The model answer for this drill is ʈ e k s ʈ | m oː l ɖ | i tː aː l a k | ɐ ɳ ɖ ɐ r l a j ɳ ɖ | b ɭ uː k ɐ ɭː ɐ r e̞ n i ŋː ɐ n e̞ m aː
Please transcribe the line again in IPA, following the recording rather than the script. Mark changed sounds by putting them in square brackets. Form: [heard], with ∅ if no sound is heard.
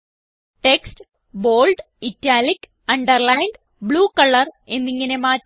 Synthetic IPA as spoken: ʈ e k s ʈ | [b] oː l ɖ | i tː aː l [i] k | ɐ ɳ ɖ ɐ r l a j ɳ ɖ | b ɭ uː k ɐ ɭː ɐ r e̞ [nː] i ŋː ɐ n e̞ m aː